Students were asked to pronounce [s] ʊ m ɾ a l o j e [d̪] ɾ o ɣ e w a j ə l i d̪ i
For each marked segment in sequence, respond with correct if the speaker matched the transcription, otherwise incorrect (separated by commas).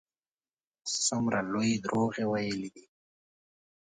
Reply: correct, correct